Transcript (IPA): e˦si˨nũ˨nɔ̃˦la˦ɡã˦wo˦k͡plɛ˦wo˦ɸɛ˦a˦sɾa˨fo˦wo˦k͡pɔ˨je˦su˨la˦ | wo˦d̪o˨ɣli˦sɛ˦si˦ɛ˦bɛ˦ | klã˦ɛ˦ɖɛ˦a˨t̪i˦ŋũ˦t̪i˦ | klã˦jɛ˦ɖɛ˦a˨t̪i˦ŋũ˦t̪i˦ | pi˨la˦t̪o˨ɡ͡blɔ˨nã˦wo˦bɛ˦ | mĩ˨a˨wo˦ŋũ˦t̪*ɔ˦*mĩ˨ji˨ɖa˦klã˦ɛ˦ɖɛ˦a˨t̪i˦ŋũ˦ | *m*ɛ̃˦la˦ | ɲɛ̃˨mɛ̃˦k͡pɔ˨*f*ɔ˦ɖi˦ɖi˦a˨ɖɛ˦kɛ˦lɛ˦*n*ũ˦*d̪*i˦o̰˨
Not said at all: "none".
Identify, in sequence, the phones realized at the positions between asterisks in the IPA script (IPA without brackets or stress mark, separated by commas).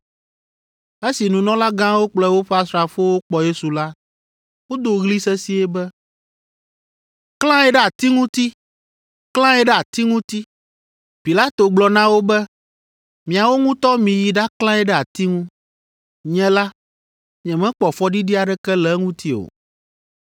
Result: ɔ˦, ɲ, f, ŋ, t̪